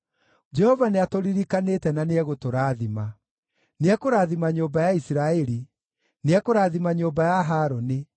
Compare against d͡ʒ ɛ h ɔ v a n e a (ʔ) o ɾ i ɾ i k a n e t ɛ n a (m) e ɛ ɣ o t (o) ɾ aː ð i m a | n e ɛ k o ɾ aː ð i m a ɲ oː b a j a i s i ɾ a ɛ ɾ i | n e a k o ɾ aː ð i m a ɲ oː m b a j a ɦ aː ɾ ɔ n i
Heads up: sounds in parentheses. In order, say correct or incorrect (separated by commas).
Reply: incorrect, incorrect, correct